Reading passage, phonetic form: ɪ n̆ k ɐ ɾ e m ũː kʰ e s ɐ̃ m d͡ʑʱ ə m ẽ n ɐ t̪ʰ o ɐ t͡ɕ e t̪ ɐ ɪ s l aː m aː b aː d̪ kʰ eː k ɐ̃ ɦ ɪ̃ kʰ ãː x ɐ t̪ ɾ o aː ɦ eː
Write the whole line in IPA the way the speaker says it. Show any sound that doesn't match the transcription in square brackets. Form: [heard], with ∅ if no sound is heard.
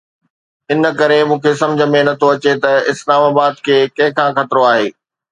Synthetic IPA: ɪ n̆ k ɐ ɾ e m ũː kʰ e s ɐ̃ m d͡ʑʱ ə m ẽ n ɐ t̪ʰ o ɐ t͡ɕ e t̪ ɐ ɪ s l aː m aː b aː d̪ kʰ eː k ɐ̃ ɦ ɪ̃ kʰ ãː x ɐ t̪ ɾ o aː ɦ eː